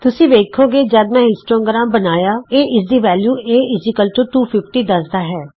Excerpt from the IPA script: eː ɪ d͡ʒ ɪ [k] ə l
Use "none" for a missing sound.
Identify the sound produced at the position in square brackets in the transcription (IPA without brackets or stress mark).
k